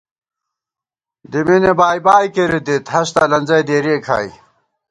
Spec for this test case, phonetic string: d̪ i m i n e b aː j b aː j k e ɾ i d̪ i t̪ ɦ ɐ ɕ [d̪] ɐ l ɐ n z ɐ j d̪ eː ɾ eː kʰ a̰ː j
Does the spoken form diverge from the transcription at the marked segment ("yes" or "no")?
yes